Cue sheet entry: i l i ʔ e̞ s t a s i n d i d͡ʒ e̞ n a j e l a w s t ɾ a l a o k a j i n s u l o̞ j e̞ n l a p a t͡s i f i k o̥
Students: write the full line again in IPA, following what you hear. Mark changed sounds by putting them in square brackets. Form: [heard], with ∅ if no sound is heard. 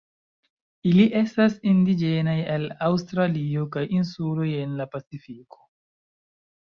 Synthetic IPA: i l i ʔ e̞ s t a s i n d i d͡ʒ e̞ n a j e l a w s t ɾ a l [i] o k a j i n s u l o̞ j e̞ n l a p a t͡s i f i k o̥